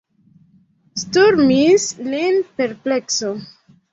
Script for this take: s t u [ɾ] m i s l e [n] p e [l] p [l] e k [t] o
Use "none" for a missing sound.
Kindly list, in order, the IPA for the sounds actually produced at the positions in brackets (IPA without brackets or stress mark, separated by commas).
ɾ, n, ɾ, l, s